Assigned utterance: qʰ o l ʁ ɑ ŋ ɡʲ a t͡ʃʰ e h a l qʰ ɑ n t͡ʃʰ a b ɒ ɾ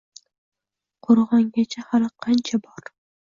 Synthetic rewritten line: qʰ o ɾ ʁ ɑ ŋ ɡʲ a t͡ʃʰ a h a l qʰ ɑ n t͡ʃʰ a b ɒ ɾ